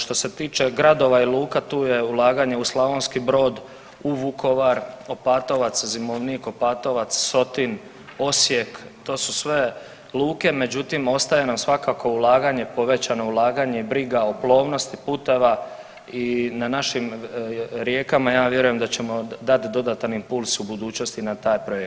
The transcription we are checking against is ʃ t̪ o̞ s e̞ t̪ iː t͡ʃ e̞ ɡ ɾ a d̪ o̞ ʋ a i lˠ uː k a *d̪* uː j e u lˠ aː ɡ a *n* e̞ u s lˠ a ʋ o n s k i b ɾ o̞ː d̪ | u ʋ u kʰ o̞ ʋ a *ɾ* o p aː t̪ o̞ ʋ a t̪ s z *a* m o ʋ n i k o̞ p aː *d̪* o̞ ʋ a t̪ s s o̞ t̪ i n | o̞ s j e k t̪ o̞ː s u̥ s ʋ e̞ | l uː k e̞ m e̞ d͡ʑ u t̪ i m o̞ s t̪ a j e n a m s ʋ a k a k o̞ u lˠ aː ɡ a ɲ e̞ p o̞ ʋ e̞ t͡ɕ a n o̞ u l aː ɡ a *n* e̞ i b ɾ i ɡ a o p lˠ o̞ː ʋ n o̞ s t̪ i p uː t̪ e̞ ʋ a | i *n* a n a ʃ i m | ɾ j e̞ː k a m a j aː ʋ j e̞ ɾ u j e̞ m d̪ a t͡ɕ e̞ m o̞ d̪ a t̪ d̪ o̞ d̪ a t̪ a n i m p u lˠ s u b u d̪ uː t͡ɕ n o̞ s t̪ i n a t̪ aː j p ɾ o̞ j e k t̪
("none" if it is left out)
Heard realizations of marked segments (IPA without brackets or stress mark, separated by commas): t̪, ɲ, ɾ, i, t̪, ɲ, n